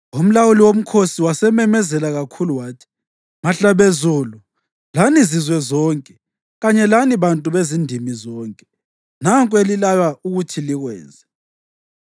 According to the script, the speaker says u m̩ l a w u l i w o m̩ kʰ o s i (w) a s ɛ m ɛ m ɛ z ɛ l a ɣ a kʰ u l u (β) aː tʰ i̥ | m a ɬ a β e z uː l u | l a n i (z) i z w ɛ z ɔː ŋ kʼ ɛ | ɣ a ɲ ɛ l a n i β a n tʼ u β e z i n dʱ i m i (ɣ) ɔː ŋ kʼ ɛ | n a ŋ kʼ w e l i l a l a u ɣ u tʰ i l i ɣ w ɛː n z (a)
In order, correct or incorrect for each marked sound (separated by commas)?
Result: correct, incorrect, correct, incorrect, incorrect